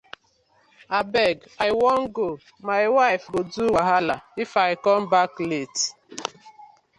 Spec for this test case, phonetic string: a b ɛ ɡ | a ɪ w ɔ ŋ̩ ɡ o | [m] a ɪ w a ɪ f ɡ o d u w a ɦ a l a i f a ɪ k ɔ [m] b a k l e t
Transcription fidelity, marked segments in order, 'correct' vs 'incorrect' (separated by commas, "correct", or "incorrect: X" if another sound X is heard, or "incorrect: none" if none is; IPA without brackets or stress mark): correct, correct